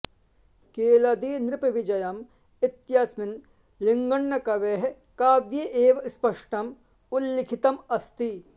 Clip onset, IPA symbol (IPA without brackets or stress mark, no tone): k